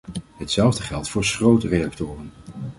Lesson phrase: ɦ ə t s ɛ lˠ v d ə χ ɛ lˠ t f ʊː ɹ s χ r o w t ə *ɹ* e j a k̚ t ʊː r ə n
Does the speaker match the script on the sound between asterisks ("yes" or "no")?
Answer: no